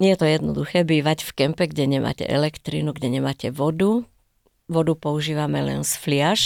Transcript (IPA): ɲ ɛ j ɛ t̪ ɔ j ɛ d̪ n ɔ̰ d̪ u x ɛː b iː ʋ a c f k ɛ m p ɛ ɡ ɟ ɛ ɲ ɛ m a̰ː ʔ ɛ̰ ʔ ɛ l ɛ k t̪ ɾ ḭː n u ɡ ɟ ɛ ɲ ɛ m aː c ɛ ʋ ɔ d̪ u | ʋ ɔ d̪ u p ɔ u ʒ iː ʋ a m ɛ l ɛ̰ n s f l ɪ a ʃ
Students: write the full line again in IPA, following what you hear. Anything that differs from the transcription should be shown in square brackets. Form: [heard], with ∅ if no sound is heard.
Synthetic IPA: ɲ ɛ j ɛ t̪ ɔ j ɛ d̪ n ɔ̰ d̪ u x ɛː b iː ʋ a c f k ɛ m p ɛ ɡ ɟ ɛ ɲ ɛ m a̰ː [c] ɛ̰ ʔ ɛ l ɛ k t̪ ɾ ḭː n u ɡ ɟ ɛ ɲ ɛ m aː c ɛ ʋ ɔ d̪ u | ʋ ɔ d̪ u p ɔ u ʒ iː ʋ a m ɛ l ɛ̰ n s f l ɪ a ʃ